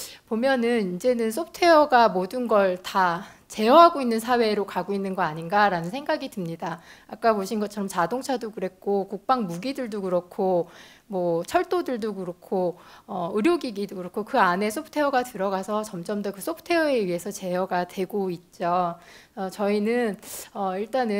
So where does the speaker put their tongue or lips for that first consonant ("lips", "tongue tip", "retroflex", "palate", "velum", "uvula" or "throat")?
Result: lips